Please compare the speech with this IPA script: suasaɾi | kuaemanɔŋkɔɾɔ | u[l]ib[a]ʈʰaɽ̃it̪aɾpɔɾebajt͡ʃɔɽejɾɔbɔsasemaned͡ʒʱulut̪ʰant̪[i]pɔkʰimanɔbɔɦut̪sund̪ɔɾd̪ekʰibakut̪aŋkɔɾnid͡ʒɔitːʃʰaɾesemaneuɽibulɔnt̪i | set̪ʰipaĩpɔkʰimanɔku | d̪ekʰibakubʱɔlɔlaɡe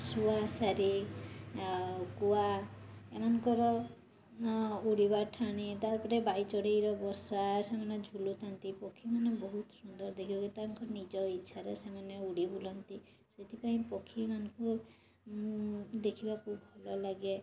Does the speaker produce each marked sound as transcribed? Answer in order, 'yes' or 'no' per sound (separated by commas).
no, yes, yes